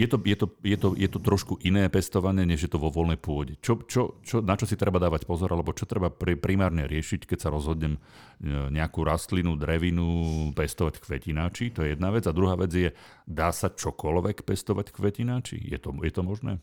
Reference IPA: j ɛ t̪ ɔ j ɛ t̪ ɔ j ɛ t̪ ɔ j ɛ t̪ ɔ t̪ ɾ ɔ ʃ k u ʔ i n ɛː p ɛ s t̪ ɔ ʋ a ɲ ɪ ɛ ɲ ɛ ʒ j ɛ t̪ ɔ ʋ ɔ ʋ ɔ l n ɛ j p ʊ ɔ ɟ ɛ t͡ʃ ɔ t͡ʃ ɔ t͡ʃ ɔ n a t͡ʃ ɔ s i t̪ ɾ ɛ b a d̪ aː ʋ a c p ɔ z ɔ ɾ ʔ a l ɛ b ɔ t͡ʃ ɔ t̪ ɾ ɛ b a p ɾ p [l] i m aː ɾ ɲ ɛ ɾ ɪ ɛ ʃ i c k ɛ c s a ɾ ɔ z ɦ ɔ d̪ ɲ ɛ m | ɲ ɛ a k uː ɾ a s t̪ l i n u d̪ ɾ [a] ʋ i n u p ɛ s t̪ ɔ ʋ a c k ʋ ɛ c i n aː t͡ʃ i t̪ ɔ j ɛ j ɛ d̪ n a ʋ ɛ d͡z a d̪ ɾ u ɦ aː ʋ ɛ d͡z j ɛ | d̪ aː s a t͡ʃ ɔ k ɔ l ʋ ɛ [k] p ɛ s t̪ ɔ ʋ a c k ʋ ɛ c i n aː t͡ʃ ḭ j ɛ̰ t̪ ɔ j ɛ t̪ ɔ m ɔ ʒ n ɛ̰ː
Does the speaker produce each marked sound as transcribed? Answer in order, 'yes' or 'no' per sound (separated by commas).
no, no, yes